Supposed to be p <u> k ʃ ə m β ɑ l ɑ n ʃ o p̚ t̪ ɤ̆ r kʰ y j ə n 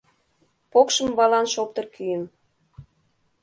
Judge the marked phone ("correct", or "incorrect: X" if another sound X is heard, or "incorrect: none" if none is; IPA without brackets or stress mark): incorrect: o